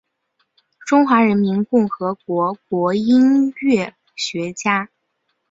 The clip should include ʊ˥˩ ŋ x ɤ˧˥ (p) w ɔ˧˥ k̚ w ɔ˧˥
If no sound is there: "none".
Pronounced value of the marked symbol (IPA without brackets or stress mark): k